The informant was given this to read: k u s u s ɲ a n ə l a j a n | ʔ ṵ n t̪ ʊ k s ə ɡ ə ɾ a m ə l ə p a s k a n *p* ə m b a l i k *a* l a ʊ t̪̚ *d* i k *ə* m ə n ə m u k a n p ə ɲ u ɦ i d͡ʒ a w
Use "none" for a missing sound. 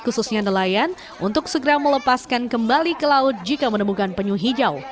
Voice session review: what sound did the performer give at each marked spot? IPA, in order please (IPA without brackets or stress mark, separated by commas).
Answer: k, ə, d͡ʒ, a